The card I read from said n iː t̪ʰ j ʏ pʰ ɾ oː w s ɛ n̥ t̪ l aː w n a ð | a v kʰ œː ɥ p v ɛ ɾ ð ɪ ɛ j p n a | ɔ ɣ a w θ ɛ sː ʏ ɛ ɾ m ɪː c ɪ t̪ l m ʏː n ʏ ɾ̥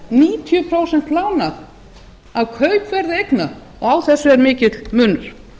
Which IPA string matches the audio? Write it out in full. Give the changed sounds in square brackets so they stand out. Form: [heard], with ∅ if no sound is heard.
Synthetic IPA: n iː t̪ʰ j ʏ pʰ ɾ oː w s ɛ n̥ t̪ l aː w n a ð | a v kʰ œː ɥ p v ɛ ɾ ð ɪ [e] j [k] n a | ɔ ɣ a w θ ɛ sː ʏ ɛ ɾ m ɪː c ɪ t̪ l m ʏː n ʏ ɾ̥